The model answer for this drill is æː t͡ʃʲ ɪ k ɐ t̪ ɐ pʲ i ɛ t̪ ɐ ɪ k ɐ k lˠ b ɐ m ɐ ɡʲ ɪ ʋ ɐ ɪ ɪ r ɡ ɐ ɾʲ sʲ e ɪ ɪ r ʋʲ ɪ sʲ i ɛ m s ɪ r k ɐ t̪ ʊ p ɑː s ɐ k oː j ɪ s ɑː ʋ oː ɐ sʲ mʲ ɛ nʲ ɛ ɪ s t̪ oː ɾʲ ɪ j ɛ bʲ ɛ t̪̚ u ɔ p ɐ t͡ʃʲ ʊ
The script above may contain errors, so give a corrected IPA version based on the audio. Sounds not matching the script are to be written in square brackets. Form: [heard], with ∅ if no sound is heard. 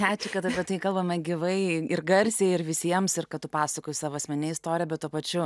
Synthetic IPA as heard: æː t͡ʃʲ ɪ k ɐ t̪ ɐ pʲ i ɛ t̪ ɐ ɪ k ɐ [∅] lˠ b ɐ m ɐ ɡʲ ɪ ʋ ɐ ɪ ɪ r ɡ ɐ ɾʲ sʲ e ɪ ɪ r ʋʲ ɪ sʲ i ɛ m s ɪ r k ɐ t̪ ʊ p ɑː s ɐ k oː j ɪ s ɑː ʋ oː ɐ sʲ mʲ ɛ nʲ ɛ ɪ s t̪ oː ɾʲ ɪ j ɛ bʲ ɛ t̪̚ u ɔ p ɐ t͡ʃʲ ʊ